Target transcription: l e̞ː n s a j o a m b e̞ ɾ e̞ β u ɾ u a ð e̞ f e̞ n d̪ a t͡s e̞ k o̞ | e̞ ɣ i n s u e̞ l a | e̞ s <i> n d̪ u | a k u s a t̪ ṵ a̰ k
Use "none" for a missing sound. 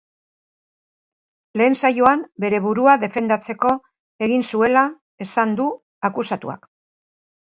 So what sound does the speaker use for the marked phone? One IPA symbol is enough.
a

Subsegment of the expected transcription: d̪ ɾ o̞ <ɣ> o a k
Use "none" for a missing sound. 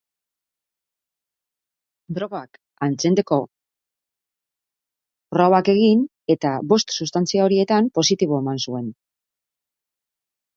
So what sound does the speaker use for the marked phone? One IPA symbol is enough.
ɣ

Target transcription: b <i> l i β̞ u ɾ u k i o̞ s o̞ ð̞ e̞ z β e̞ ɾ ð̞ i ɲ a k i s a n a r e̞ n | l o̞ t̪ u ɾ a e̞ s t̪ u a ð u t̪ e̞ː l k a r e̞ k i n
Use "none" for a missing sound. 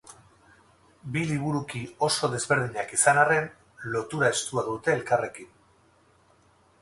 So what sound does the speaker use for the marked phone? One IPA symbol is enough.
i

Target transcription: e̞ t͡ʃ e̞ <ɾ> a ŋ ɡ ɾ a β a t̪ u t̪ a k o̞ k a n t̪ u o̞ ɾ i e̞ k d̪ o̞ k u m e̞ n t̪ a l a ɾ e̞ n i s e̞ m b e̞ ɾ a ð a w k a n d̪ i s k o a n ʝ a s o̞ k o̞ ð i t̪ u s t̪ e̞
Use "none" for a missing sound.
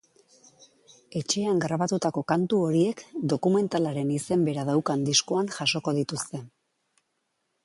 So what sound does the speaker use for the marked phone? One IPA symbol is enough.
none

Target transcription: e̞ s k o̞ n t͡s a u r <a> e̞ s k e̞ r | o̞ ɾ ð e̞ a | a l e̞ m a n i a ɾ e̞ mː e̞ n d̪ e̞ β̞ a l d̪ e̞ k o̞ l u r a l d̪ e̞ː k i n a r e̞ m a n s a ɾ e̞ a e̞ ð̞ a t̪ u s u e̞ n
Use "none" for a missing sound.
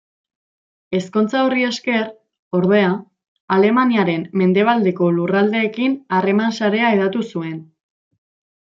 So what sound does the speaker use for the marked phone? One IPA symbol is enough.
i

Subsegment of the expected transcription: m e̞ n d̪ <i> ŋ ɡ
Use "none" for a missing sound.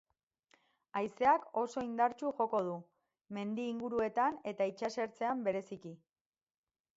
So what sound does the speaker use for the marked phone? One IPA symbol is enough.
iː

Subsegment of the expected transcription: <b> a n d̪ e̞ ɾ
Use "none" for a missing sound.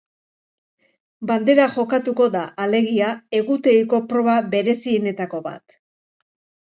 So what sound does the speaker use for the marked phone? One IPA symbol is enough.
b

